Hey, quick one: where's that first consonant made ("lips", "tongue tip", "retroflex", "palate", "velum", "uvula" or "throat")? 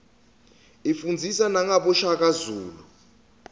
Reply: lips